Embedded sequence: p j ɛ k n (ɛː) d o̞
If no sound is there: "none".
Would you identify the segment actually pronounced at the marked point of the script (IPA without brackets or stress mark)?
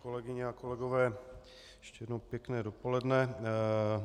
ɛː